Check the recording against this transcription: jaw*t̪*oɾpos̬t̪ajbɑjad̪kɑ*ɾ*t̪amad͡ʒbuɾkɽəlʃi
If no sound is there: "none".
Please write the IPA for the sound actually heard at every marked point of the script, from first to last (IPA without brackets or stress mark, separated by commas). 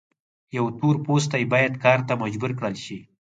t̪, ɾ